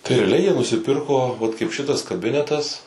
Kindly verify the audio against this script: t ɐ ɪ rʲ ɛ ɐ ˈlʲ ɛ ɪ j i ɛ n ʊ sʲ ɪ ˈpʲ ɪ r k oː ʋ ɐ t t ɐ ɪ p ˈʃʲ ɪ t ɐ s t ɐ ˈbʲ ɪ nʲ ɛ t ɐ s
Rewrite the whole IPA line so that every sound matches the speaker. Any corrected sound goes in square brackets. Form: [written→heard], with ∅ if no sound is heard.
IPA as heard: t ɐ ɪ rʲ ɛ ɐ ˈlʲ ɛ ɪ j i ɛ n ʊ sʲ ɪ ˈpʲ ɪ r k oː ʋ ɐ t [t→k] ɐ ɪ p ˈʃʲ ɪ t ɐ s [t→k] ɐ ˈbʲ ɪ nʲ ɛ t ɐ s